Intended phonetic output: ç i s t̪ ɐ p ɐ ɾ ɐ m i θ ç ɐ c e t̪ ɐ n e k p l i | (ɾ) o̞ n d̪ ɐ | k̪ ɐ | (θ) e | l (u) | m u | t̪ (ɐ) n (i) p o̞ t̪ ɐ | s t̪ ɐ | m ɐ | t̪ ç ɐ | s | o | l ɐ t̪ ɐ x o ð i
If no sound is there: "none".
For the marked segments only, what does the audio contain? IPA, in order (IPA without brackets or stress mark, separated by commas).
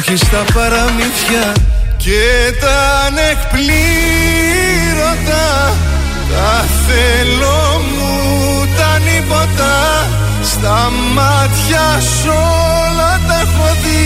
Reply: ɾ, θ, o, ɐ, i